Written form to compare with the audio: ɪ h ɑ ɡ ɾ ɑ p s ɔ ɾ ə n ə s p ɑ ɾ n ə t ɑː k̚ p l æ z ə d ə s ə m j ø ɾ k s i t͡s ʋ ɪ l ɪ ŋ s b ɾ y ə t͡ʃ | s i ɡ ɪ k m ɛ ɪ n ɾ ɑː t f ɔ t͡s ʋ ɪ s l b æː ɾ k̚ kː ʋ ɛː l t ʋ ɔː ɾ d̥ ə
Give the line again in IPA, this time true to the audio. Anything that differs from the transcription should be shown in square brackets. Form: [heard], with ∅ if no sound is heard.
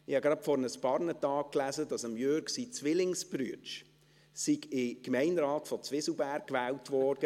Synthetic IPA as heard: ɪ h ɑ ɡ ɾ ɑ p [f] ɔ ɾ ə n ə s p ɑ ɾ n ə t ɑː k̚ [k] l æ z ə d [ɑ] s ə m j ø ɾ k s i t͡s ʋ ɪ l ɪ ŋ s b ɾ y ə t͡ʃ | s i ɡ ɪ k m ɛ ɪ n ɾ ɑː t f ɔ t͡s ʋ ɪ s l b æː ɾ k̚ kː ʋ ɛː l t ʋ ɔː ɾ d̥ ə